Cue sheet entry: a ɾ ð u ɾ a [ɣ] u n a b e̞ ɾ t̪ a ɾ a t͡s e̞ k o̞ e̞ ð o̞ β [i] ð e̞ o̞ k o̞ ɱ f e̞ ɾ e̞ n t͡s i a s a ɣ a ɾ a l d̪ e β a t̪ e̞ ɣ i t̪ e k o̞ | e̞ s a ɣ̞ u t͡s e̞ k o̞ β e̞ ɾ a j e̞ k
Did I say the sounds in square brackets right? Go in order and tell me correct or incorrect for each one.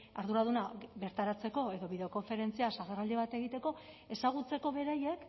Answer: incorrect: ð, correct

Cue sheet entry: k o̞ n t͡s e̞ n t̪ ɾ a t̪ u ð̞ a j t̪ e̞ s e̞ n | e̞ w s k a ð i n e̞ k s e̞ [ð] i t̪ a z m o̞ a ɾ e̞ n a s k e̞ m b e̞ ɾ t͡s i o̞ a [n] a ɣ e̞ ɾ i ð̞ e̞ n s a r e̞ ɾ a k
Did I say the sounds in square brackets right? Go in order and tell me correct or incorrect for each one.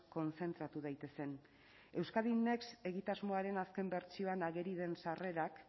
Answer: incorrect: ɣ, correct

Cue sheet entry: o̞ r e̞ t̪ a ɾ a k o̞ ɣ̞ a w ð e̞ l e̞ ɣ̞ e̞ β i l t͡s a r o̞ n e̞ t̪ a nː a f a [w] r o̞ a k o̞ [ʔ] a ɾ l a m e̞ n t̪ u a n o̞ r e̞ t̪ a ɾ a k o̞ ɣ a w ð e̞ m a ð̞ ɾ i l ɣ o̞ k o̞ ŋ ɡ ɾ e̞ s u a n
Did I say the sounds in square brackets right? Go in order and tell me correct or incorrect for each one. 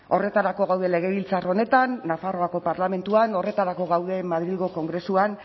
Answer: incorrect: none, incorrect: p

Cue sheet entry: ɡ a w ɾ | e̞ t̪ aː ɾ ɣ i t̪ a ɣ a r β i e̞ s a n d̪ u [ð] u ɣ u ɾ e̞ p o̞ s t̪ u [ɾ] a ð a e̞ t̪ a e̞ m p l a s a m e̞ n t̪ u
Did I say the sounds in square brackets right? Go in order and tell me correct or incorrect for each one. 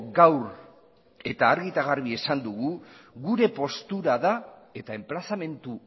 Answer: incorrect: ɣ, correct

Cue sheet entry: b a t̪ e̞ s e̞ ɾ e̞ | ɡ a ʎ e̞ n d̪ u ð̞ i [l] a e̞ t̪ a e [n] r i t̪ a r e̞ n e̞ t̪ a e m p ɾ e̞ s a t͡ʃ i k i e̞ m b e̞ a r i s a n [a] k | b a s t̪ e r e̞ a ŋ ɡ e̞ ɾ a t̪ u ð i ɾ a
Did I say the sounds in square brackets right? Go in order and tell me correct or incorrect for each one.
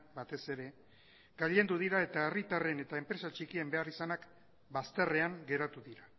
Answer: incorrect: ɾ, incorrect: none, correct

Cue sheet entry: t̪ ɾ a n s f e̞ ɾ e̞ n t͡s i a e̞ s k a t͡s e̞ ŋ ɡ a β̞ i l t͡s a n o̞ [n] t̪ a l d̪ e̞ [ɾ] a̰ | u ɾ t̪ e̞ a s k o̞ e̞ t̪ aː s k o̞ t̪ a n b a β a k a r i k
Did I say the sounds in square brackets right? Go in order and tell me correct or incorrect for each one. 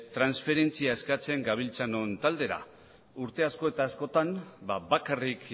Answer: correct, correct

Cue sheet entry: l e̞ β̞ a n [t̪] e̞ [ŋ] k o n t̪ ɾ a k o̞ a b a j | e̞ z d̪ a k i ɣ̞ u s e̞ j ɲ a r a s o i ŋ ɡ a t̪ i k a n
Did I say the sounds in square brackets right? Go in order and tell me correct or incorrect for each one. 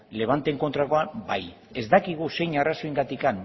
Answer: correct, correct

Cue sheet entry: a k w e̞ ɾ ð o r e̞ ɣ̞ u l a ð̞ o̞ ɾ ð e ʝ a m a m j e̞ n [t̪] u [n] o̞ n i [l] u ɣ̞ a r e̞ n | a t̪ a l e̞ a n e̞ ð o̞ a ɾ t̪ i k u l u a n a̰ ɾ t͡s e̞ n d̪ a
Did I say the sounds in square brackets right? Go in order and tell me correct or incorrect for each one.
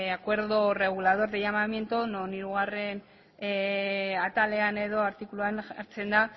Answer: correct, correct, incorrect: ɾ

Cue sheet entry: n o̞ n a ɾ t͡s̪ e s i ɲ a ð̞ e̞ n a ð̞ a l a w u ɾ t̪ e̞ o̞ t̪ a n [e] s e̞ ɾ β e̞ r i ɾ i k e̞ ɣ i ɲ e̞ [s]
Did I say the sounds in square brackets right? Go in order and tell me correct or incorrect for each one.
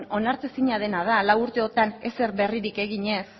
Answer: correct, correct

